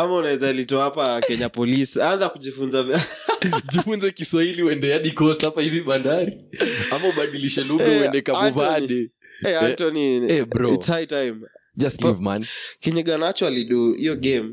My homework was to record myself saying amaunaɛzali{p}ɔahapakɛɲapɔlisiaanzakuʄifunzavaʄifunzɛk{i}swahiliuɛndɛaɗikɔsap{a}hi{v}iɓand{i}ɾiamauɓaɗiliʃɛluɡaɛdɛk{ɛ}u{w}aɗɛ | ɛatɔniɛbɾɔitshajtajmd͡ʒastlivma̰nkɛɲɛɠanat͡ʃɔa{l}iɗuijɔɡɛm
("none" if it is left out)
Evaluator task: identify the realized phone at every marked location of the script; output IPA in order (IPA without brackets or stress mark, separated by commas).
t, i, a, v, a, a, v, l